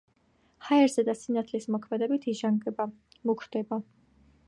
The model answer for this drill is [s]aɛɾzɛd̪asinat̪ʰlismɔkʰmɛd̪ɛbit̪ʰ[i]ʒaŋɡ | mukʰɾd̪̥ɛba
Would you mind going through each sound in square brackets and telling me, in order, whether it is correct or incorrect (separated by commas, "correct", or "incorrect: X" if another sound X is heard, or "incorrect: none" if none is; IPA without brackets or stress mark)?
incorrect: h, correct